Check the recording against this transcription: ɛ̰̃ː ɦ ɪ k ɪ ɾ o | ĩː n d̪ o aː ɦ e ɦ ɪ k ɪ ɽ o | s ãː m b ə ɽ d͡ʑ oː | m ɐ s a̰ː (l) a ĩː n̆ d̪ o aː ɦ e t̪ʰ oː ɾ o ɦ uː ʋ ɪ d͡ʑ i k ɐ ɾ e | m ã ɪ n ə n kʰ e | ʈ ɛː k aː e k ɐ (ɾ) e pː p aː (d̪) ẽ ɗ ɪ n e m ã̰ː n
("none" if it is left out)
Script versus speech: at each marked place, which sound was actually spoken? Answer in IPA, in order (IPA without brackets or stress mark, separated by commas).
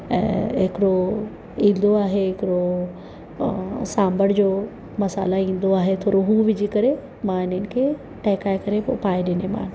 l, ɾ, none